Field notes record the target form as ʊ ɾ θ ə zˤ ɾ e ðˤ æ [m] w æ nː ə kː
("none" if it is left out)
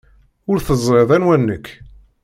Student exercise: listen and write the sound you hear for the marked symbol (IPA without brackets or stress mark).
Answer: n